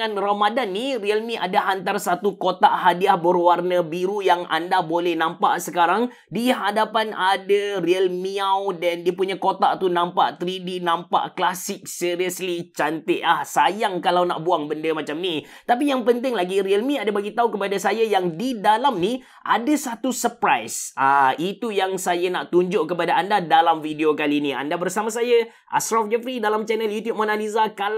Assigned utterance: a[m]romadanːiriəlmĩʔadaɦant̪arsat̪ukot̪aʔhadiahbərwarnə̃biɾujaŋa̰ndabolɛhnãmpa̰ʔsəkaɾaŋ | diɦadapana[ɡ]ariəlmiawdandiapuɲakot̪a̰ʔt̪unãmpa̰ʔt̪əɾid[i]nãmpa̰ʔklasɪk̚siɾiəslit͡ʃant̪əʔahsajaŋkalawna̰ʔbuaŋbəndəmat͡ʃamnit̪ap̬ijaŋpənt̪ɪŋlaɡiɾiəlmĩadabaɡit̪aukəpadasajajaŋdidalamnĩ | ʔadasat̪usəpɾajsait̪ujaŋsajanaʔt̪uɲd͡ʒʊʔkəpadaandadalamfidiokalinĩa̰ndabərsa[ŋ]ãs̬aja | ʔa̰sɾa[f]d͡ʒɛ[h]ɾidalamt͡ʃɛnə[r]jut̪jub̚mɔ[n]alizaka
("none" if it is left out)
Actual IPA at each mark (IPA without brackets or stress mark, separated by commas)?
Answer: n, d, i, m, f, f, l, n